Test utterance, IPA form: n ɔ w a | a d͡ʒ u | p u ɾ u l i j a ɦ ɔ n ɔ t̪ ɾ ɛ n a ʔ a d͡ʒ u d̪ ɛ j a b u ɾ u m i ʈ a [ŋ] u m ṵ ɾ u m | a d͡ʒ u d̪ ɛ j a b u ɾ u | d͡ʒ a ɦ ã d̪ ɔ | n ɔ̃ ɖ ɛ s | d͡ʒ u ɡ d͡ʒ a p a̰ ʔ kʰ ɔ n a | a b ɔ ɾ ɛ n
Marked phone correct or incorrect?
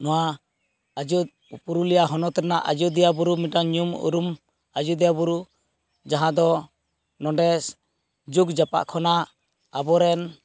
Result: incorrect: ɲ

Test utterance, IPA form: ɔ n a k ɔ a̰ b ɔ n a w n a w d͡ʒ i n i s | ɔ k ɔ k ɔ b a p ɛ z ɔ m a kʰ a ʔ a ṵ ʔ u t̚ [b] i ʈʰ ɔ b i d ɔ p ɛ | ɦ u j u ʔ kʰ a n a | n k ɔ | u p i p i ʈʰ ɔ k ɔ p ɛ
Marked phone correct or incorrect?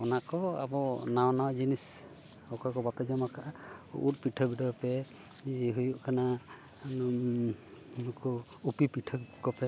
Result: incorrect: p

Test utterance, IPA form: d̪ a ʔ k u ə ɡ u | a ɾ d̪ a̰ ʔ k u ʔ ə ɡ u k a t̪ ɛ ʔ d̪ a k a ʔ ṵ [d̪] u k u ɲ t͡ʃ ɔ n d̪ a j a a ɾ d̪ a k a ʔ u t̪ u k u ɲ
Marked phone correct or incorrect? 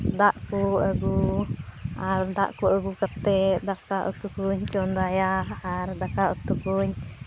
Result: incorrect: t̪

